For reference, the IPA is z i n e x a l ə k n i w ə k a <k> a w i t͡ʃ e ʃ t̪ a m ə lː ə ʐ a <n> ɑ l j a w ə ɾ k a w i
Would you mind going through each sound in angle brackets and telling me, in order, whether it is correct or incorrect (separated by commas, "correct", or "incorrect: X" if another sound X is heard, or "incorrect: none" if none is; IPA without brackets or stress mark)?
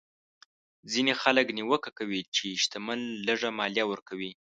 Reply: correct, incorrect: m